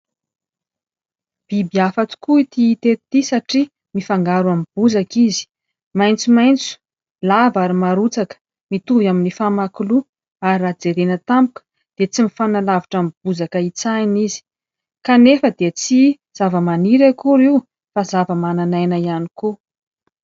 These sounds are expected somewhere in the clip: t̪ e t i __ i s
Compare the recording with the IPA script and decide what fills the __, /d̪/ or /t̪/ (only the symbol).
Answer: t̪